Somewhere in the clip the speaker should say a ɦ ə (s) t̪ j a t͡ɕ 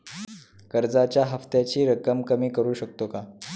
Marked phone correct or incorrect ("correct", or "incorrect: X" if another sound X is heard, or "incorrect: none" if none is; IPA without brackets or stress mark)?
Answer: incorrect: f